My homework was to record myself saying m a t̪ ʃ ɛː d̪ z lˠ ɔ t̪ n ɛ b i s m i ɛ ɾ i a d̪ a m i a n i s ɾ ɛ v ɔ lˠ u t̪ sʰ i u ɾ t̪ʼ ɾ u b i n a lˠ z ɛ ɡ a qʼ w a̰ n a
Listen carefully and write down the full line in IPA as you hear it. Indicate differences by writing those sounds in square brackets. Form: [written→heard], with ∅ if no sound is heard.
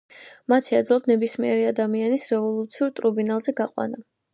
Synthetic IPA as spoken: m a t̪ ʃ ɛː d̪ z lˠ ɔ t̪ n ɛ b i s m i ɛ ɾ i a d̪ a m i a n i s ɾ ɛ v ɔ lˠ u t̪ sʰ i u ɾ t̪ʼ ɾ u b i n a lˠ z ɛ ɡ a qʼ w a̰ n a